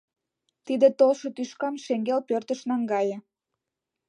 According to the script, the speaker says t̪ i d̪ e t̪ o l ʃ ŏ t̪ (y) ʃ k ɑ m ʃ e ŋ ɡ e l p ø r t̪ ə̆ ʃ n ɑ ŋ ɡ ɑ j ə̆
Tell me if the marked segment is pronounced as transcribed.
yes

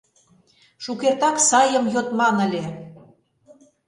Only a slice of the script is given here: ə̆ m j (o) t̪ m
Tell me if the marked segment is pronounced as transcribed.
yes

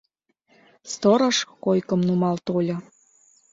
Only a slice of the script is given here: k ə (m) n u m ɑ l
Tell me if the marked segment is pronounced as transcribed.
yes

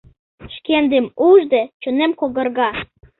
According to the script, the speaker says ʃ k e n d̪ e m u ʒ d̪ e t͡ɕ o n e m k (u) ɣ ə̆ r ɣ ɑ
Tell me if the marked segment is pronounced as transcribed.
no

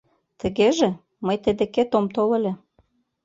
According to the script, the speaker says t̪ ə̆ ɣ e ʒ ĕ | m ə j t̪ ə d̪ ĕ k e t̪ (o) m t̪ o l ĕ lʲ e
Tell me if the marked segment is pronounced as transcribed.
yes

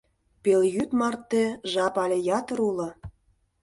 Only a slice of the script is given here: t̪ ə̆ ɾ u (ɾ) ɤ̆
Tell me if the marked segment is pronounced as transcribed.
no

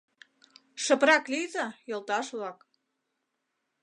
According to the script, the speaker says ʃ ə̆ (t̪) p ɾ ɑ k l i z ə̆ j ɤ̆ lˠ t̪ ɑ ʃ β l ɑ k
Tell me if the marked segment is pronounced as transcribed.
no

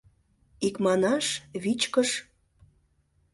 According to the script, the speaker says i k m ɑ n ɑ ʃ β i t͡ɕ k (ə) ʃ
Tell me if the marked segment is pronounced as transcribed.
yes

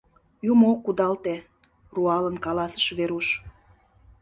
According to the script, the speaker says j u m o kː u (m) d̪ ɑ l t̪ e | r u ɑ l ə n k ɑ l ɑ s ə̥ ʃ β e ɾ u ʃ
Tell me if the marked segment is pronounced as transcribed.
no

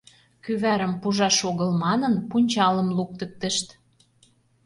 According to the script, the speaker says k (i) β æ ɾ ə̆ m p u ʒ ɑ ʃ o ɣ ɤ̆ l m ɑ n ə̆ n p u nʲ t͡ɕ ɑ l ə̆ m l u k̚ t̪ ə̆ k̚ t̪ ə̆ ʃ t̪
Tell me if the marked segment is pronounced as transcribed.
no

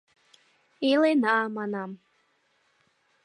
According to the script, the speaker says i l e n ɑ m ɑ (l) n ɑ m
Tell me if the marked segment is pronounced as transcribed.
no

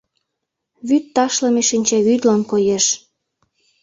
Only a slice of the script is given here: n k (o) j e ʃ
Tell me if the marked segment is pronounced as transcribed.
yes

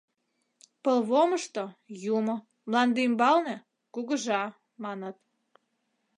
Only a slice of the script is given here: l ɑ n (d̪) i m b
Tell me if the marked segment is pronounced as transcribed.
yes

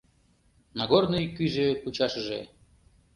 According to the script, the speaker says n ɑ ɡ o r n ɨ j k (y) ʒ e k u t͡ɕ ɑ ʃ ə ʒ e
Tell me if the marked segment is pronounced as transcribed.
yes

